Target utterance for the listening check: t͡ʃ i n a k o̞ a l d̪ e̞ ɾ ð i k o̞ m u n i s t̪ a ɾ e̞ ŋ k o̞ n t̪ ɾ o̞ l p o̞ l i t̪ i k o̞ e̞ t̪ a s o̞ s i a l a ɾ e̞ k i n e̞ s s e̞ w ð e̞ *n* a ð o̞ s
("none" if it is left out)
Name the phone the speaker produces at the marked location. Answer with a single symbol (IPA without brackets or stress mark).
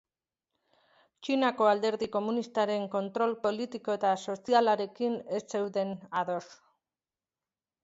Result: n